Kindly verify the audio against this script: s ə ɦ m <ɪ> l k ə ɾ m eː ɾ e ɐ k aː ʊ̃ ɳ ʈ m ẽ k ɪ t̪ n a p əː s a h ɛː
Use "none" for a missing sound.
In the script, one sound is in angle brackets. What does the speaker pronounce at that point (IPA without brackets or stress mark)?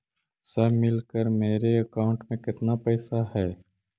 ɪ